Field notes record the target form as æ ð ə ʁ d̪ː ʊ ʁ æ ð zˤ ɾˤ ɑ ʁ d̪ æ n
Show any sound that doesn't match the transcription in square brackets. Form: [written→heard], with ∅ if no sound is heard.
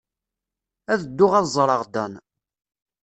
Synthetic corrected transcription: æ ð ə [ʁ→∅] d̪ː ʊ ʁ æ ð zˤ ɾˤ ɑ ʁ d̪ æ n